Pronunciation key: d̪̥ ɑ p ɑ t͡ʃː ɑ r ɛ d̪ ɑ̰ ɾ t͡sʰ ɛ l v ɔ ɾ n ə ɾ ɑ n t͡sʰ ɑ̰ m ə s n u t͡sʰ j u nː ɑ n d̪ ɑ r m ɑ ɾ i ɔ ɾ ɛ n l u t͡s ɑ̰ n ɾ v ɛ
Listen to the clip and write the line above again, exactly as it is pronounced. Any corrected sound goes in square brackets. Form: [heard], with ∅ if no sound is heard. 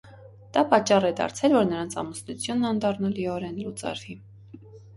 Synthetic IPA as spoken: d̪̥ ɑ p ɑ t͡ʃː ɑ r ɛ d̪ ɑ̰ ɾ t͡sʰ ɛ l v ɔ ɾ n ə ɾ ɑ n t͡sʰ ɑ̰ m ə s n u t͡sʰ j u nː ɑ n d̪ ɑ r [n] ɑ [l] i ɔ ɾ ɛ n l u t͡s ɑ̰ [∅] ɾ v [i]

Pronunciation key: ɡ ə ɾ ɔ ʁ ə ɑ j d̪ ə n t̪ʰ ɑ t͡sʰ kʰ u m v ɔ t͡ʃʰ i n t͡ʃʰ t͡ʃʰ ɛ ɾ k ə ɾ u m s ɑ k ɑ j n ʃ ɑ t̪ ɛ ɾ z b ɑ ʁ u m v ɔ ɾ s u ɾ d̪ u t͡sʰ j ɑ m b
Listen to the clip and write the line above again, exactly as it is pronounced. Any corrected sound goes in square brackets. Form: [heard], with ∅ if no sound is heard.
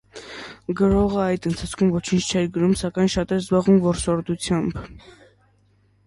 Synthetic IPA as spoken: ɡ ə ɾ ɔ ʁ ə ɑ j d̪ ə n t̪ʰ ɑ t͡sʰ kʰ u m v ɔ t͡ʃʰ i n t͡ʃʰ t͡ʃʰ ɛ ɾ [ɡ] ə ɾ u m s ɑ k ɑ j n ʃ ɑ t̪ ɛ ɾ z b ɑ ʁ u m v ɔ ɾ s [ɔ] ɾ d̪ u t͡sʰ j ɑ m b

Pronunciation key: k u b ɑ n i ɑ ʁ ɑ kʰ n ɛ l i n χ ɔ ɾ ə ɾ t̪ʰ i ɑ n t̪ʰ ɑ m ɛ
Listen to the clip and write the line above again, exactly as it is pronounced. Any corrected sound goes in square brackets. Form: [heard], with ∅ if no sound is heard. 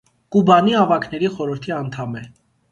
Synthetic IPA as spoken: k u b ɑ n i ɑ [v] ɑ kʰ n ɛ [ɾ] i [∅] χ ɔ ɾ ə ɾ t̪ʰ i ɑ n t̪ʰ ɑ m ɛ

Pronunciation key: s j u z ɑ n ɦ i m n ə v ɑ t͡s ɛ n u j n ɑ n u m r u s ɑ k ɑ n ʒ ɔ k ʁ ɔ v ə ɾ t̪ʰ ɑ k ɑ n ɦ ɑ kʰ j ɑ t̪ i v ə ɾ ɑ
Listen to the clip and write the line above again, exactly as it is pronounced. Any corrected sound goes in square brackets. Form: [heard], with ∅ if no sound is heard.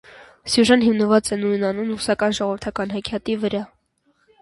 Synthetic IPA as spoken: s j u [ʒ] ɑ n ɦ i m n ə v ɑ t͡s ɛ n u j n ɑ n u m r u s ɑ k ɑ n ʒ ɔ [∅] ʁ ɔ v ə ɾ t̪ʰ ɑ k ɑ n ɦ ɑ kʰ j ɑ t̪ i v ə ɾ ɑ

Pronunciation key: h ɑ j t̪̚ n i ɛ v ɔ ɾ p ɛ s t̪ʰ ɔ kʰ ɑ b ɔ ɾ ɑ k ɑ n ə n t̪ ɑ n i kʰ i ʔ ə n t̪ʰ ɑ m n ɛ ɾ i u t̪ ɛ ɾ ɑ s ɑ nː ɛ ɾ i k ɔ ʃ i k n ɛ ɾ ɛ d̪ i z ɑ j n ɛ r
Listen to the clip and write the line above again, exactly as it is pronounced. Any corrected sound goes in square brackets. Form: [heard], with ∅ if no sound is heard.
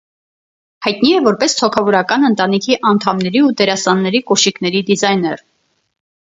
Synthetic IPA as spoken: h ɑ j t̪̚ n i ɛ v ɔ ɾ p ɛ s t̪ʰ ɔ kʰ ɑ [v] ɔ ɾ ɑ k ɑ n ə n t̪ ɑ n i kʰ i ʔ [ɑ] n t̪ʰ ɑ m n ɛ ɾ i u t̪ ɛ ɾ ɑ s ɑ nː ɛ ɾ i k ɔ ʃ i k n ɛ ɾ [i] d̪ i z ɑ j n ɛ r

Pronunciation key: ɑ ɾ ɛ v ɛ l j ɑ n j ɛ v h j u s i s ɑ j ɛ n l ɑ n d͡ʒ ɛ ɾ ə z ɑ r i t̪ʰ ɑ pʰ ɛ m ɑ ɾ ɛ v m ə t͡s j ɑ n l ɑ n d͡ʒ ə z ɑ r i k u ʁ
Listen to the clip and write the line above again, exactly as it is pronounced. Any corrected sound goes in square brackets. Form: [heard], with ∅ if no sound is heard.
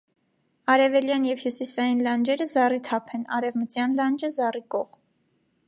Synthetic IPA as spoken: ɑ ɾ ɛ v ɛ l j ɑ n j ɛ v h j u s i s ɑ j [i] n l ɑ n d͡ʒ ɛ ɾ ə z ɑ r i t̪ʰ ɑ pʰ ɛ [n] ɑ ɾ ɛ v m ə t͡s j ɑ n l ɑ n d͡ʒ ə z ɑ r i k [ɔ] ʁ

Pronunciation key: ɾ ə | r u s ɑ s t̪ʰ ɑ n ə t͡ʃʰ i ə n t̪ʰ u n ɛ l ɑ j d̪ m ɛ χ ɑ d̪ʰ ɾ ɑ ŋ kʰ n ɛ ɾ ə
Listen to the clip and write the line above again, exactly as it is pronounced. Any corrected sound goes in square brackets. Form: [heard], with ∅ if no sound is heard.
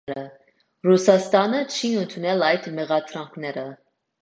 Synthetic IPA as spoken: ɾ ə | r u s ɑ s [t̪] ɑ n ə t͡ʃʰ i ə n t̪ʰ u n ɛ l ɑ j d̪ m ɛ [ʁ] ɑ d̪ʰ ɾ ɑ ŋ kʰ n ɛ ɾ ə

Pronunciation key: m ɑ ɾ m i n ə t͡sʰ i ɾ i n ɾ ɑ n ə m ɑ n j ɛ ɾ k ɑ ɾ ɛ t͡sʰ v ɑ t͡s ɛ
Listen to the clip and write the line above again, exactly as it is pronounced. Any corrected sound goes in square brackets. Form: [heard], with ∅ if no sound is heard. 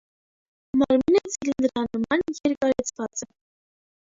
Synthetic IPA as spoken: m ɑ ɾ m i n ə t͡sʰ i [l] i n ɾ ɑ n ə m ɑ n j ɛ ɾ k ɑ ɾ ɛ t͡sʰ v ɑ t͡s ɛ

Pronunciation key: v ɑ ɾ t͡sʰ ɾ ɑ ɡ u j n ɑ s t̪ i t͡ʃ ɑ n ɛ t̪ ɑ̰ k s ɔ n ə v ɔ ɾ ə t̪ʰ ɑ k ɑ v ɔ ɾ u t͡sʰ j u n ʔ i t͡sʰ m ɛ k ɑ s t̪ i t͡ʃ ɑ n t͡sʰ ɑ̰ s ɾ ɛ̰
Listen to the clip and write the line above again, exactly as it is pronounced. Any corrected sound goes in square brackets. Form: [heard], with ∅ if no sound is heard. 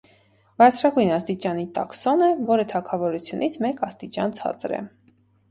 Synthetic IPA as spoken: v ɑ ɾ t͡sʰ ɾ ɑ ɡ u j n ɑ s t̪ i t͡ʃ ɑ n [i] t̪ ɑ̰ k s ɔ n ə v ɔ ɾ ə t̪ʰ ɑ [kʰ] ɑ v ɔ ɾ u t͡sʰ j u n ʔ i t͡sʰ m ɛ k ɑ s t̪ i t͡ʃ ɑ n t͡sʰ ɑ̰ [t͡s] ɾ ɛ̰

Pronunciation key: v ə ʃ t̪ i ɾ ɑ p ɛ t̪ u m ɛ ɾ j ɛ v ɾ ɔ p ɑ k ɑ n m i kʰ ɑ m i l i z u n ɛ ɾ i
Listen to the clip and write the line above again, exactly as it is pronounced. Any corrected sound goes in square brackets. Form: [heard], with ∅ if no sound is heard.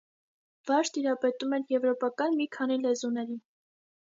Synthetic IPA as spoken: v [ɑ] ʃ t̪ i ɾ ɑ p ɛ t̪ u m ɛ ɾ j ɛ v ɾ ɔ p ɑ k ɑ n m i kʰ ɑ [n] i l [ɛ] z u n ɛ ɾ i

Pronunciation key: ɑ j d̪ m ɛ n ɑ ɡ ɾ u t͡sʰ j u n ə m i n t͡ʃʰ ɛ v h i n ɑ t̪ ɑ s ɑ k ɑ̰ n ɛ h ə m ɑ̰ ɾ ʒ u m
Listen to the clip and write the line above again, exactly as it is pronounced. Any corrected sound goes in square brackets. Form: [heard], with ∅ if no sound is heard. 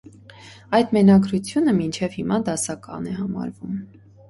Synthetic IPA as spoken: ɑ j d̪ m ɛ n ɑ ɡ ɾ u t͡sʰ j u n ə m i n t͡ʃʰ ɛ v h i [m] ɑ [d̪] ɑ s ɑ k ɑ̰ n ɛ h [ɑ] m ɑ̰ ɾ [v] u m

